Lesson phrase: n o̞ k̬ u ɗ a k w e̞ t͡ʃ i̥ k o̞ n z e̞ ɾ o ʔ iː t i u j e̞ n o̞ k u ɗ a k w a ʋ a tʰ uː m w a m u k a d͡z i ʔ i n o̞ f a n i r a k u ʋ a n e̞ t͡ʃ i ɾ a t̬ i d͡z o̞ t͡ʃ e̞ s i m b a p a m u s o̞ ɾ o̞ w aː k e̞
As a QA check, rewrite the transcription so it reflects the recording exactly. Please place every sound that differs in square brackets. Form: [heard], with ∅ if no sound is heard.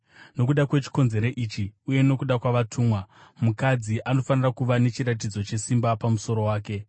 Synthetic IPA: n o̞ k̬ u ɗ a k w e̞ t͡ʃ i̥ k o̞ n z e̞ ɾ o ʔ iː [t͡ʃ] i u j e̞ n o̞ k u ɗ a k w a ʋ a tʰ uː m w a m u k a d͡z i ʔ [a] n o̞ f a n i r a k u ʋ a n e̞ t͡ʃ i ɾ a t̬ i d͡z o̞ t͡ʃ e̞ s i m b a p a m u s o̞ ɾ o̞ w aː k e̞